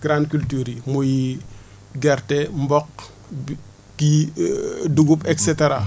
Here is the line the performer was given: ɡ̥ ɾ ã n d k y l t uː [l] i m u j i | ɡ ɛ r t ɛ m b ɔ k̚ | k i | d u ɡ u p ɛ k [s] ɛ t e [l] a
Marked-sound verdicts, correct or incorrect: incorrect: ɾ, correct, incorrect: ɾ

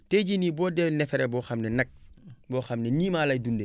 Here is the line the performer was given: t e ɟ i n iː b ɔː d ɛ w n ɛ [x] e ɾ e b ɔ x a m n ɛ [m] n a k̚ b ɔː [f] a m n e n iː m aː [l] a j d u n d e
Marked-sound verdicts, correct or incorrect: incorrect: f, incorrect: none, incorrect: x, correct

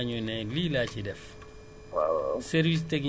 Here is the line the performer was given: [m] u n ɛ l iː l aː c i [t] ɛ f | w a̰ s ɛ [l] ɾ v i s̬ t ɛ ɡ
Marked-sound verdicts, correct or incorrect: incorrect: ɲ, incorrect: d, incorrect: none

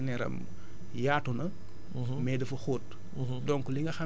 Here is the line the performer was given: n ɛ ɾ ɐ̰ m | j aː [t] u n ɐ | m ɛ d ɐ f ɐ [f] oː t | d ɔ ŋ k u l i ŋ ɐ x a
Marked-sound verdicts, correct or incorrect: correct, incorrect: x

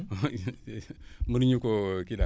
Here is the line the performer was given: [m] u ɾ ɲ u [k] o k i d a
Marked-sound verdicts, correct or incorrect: correct, correct

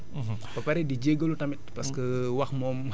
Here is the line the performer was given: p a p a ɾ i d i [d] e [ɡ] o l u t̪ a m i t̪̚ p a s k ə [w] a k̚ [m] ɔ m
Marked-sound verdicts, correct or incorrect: incorrect: d͡ʒ, correct, correct, correct

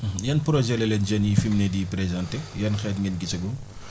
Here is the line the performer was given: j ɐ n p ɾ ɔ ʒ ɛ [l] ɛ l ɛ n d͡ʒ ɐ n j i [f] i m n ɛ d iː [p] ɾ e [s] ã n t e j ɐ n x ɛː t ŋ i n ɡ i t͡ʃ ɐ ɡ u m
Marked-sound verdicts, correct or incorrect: correct, correct, correct, incorrect: z

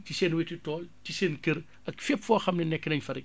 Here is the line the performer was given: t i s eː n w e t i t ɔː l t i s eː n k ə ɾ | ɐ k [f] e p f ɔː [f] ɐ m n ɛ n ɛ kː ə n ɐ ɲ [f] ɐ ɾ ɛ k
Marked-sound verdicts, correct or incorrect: correct, incorrect: x, correct

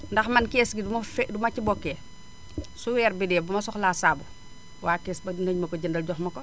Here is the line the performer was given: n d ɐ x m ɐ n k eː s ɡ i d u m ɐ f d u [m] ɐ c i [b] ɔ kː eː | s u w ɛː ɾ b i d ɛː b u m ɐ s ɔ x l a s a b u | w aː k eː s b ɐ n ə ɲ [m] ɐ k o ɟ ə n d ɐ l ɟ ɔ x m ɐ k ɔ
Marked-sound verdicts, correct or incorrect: correct, correct, correct

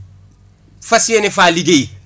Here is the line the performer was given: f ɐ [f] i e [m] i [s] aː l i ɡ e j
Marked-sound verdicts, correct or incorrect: incorrect: s, incorrect: n, incorrect: f

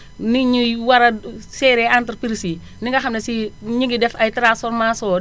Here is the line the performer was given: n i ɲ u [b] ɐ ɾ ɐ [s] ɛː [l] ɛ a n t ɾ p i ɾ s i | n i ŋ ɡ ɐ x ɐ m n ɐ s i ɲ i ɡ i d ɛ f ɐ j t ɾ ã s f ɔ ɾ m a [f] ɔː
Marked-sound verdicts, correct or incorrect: incorrect: w, correct, incorrect: ɾ, incorrect: s

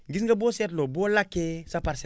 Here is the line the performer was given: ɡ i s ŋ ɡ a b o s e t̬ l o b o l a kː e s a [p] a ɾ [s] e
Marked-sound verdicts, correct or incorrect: correct, correct

